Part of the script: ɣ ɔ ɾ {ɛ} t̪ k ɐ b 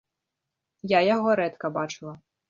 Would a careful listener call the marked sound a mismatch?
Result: no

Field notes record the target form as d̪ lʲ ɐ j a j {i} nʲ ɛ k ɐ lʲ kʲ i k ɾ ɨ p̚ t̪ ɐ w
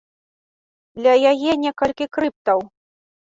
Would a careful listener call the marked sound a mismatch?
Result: yes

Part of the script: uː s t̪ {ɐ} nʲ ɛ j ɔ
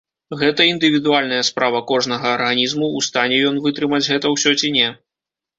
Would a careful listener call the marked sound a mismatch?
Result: yes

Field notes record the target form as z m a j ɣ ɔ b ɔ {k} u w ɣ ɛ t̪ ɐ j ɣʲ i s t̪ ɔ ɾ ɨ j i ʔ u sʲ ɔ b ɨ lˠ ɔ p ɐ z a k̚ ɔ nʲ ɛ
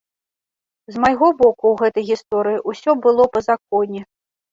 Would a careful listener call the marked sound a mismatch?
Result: no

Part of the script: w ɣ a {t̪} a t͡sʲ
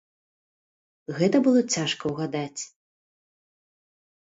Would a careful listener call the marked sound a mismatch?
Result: yes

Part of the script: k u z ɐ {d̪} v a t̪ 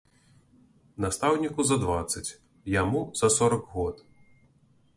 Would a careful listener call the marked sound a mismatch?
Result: no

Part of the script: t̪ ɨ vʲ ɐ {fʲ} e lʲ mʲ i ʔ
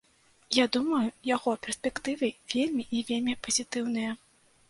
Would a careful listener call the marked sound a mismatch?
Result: yes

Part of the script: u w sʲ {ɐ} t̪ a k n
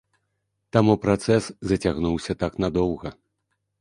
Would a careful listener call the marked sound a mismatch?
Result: no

